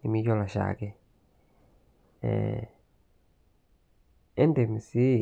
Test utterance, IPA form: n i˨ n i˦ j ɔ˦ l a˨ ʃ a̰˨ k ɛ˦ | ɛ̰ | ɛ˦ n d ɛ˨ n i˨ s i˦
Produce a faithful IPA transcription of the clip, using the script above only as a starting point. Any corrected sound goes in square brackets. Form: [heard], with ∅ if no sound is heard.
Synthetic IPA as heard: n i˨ [m] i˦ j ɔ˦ l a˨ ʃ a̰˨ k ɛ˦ | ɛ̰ | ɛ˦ n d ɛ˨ [m] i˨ s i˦